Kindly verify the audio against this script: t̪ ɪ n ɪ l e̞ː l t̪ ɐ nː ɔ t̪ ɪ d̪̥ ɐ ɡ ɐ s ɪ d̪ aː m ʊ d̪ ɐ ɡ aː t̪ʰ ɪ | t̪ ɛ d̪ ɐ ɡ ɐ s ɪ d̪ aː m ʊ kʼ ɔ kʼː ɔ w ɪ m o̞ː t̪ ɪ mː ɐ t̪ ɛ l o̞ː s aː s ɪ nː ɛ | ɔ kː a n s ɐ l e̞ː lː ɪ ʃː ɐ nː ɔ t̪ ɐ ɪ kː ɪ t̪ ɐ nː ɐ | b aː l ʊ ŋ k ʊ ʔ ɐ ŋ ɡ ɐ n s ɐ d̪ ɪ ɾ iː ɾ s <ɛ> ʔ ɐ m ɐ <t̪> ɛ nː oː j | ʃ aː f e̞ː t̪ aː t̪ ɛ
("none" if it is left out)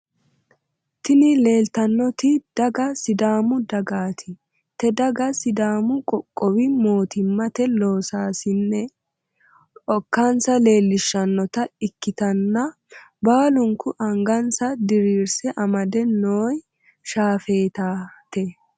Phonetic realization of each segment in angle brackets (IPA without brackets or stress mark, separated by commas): ɛ, d̪